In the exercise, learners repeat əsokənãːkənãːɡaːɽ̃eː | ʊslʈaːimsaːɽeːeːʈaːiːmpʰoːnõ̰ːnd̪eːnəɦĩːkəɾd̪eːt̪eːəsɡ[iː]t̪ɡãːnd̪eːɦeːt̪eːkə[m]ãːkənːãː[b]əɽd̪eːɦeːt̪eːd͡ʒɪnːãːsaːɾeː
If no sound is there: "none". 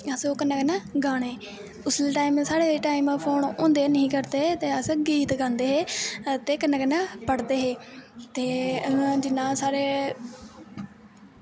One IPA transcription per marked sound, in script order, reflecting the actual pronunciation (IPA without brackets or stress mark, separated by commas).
iː, n, p